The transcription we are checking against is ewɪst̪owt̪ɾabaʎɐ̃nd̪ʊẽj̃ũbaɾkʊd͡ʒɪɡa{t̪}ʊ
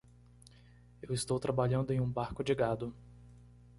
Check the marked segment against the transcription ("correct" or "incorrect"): incorrect